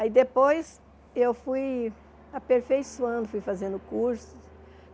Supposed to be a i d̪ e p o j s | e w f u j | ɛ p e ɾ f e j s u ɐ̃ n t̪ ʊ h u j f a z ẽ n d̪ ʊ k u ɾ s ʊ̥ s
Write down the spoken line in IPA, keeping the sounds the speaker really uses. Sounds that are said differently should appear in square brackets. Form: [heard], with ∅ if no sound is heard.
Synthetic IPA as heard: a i d̪ e p o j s | e w f u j | [a] p e ɾ f e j s u ɐ̃ n [d̪] ʊ [f] u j f a z ẽ n d̪ ʊ k u ɾ s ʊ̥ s